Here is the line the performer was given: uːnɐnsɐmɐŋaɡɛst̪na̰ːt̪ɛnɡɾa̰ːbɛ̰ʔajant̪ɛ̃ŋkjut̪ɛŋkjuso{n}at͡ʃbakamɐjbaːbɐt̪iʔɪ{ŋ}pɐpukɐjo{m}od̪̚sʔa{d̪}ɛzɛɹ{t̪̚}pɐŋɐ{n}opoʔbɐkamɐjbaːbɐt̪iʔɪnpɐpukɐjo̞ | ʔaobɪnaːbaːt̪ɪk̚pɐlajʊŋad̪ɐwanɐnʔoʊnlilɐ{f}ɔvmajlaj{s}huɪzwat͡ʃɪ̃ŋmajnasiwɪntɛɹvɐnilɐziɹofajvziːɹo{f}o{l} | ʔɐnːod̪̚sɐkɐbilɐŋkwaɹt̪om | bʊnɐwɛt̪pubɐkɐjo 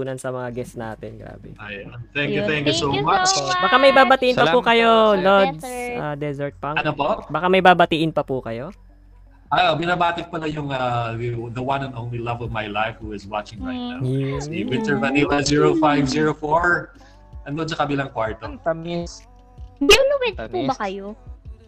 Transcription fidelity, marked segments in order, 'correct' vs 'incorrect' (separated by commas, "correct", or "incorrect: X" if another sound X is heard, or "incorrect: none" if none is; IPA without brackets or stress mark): incorrect: m, incorrect: n, incorrect: n, correct, correct, correct, incorrect: v, incorrect: f, correct, incorrect: ɹ